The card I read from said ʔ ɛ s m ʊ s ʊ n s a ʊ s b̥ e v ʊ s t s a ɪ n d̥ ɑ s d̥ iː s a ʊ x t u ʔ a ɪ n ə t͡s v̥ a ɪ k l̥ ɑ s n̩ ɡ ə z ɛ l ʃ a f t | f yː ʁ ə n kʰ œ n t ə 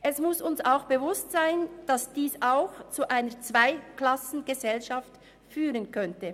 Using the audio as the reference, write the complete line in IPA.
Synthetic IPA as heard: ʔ ɛ s m ʊ s ʊ n s a ʊ x b̥ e v ʊ s t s a ɪ n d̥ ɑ s d̥ iː s a ʊ x t͡s u ʔ a ɪ n ə t͡s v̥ a ɪ k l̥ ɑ s n̩ ɡ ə z ɛ l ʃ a f t | f yː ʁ ə n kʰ œ n t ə